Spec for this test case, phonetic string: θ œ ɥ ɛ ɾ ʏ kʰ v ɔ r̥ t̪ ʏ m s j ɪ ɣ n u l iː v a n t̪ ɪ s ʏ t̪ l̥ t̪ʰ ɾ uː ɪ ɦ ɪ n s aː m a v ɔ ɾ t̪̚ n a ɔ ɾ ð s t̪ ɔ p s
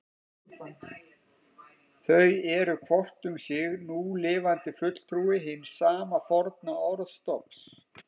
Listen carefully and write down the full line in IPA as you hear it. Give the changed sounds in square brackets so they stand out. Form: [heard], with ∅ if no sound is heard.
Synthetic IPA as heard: θ œ ɥ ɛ ɾ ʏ kʰ v ɔ r̥ t̪ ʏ m s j ɪ ɣ n u l [ɪː] v a n t̪ ɪ [f] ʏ t̪ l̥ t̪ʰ ɾ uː ɪ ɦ ɪ n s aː m a [f] ɔ ɾ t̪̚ n a ɔ ɾ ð s t̪ ɔ p s

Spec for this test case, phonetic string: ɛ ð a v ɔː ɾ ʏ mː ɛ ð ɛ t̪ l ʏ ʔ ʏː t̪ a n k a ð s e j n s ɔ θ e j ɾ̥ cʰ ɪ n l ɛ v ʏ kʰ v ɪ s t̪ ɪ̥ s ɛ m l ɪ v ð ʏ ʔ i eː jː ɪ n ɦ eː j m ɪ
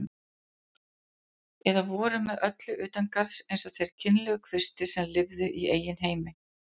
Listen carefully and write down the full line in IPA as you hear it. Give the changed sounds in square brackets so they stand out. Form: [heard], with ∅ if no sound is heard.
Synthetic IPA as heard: ɛ ð a v ɔː ɾ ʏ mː ɛ ð [œ] t̪ l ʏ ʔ ʏː t̪ a n k a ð s e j n s ɔ θ e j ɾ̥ cʰ ɪ n l ɛ [ɣ] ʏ kʰ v ɪ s t̪ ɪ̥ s ɛ m l ɪ v ð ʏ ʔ i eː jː ɪ n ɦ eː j m ɪ

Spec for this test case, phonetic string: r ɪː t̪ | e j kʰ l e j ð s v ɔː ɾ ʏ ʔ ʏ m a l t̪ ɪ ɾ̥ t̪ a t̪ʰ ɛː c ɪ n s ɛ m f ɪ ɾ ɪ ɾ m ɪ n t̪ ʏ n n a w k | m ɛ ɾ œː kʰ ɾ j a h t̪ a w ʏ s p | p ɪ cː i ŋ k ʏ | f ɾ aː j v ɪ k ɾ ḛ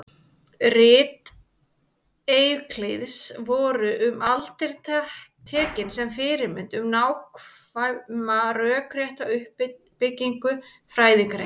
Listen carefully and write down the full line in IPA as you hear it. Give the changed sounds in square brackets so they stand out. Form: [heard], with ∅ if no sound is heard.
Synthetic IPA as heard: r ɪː t̪ | e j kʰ l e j ð s v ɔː ɾ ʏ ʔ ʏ m a l t̪ ɪ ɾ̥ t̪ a t̪ʰ ɛː c ɪ n s ɛ m f ɪ ɾ ɪ ɾ m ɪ n t̪ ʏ [m] n a w k | m [a] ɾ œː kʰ ɾ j [ɛ] h t̪ a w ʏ [h] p | p ɪ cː i ŋ k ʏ | f ɾ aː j [ð] ɪ k ɾ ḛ

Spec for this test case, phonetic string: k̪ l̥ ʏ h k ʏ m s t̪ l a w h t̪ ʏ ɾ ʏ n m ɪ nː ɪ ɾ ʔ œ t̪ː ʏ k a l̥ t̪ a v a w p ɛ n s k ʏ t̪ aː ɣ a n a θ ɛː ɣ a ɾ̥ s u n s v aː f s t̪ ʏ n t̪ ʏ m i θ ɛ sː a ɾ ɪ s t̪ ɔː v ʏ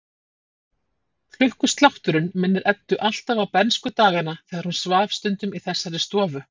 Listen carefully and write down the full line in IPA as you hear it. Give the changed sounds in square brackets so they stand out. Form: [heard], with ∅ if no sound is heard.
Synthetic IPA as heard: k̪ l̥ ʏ h k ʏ [∅] s t̪ l a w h t̪ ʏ ɾ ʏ n m ɪ nː ɪ ɾ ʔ [ɛ] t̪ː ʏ [ʔ] a l̥ t̪ a v a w p ɛ n s k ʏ t̪ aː ɣ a n a θ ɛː ɣ a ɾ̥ [h] u n s v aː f s t̪ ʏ n t̪ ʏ m i θ ɛ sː a ɾ ɪ s t̪ ɔː v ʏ

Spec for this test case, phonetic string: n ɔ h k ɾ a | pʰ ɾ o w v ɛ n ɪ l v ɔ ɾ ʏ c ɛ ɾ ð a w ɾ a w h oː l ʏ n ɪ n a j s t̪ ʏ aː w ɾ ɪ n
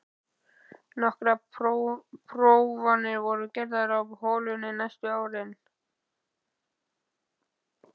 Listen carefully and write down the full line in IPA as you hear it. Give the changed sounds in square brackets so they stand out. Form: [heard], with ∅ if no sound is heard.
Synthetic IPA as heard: n ɔ h k ɾ a | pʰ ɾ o w v [a] n ɪ [ɾ] v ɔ ɾ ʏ c ɛ ɾ ð a [∅] ɾ a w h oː l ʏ n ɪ n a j s t̪ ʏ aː w ɾ ɪ n

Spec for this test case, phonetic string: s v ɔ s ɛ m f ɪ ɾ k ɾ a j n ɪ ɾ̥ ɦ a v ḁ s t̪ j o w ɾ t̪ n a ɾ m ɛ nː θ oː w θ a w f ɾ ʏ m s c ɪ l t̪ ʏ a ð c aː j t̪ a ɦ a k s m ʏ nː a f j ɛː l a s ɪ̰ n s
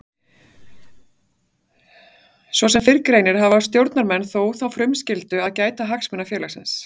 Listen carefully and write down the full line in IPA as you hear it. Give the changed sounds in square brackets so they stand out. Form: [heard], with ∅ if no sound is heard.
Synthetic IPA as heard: s v ɔ s ɛ m f ɪ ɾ k ɾ [e] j n ɪ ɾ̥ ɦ a v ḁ s t̪ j o w ɾ t̪ n a ɾ m ɛ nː θ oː w θ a w f ɾ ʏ m s c ɪ l t̪ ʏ a ð c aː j t̪ a ɦ a k s m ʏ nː a f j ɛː l a s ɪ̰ n s

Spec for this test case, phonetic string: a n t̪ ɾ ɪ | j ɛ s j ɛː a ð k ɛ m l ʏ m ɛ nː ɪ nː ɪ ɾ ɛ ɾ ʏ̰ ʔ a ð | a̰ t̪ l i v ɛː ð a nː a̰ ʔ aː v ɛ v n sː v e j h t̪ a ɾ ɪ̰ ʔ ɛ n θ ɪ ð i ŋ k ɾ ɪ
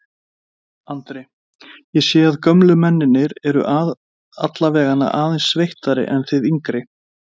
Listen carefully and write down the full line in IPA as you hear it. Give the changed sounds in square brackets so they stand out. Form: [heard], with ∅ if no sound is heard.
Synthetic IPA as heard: a n t̪ ɾ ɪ | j ɛ s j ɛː a ð k [œ] m l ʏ m ɛ nː ɪ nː ɪ ɾ ɛ ɾ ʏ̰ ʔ a ð | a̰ t̪ l [a] v ɛː [ɣ] a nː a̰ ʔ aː [ð] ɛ [∅] n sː v e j h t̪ a ɾ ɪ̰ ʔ ɛ n θ ɪ ð i ŋ k ɾ ɪ

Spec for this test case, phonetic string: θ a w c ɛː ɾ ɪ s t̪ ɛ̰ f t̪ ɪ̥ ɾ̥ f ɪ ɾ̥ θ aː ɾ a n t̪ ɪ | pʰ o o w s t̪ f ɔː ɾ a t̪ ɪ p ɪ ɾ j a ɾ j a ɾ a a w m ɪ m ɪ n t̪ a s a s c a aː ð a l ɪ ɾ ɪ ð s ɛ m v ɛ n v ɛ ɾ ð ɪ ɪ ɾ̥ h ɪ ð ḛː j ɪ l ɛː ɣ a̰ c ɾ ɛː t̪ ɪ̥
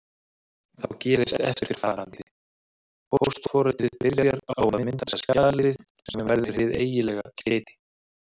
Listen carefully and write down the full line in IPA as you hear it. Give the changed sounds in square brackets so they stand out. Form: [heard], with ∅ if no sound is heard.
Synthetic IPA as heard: θ a w c ɛː ɾ ɪ s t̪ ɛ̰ f t̪ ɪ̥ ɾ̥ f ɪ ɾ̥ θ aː ɾ a n t̪ ɪ | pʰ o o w s t̪ f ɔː ɾ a t̪ ɪ p ɪ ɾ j a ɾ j a ɾ a a w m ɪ m ɪ n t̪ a s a s c a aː ð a l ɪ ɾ ɪ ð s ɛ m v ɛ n v ɛ ɾ ð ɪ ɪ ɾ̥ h ɪ ð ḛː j ɪ l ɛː ɣ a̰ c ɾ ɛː t̪ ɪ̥

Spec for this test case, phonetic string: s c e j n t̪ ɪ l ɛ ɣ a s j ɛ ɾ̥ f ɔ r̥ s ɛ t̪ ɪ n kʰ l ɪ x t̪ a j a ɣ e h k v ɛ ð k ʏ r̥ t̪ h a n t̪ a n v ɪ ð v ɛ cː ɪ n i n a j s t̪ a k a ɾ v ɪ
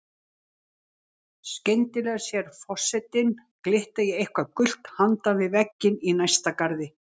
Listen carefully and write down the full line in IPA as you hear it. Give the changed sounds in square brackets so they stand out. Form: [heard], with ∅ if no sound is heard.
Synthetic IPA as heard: s c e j n t̪ ɪ l ɛ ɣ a s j ɛ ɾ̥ f ɔ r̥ s ɛ t̪ ɪ n [k] l ɪ [h] t̪ a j [ɛ] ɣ e h k v [a] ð k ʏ [l̥] t̪ h a n t̪ a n v ɪ ð v ɛ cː ɪ n i n a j s t̪ a k a ɾ [ð] ɪ

